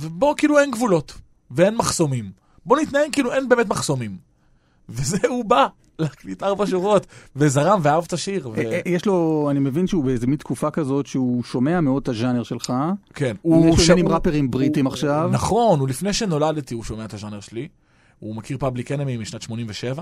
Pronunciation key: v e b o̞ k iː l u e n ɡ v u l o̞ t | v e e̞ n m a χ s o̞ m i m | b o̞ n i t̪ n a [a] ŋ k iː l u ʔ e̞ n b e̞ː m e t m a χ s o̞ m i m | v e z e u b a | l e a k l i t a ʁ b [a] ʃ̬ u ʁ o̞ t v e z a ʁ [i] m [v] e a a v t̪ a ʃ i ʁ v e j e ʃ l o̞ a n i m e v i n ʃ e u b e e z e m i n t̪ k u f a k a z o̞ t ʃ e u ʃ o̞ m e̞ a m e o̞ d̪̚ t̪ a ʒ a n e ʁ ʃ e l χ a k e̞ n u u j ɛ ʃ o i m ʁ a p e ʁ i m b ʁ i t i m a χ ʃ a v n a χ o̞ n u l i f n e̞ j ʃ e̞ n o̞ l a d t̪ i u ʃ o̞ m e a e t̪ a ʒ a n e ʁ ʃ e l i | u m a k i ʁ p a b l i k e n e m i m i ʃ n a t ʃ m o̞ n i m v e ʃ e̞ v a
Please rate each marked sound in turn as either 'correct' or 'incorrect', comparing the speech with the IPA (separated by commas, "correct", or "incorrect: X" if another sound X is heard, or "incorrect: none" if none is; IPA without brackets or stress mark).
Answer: incorrect: e, correct, incorrect: a, correct